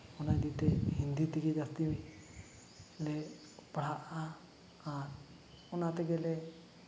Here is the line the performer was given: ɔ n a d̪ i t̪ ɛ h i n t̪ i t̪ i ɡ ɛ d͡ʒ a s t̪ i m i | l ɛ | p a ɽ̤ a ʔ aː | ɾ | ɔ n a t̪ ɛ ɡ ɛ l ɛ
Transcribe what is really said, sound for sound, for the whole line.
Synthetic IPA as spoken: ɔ n a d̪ i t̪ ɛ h i n d̪ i t̪ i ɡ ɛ d͡ʒ a s t̪ i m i | l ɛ | p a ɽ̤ a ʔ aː | ɾ | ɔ n a t̪ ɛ ɡ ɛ l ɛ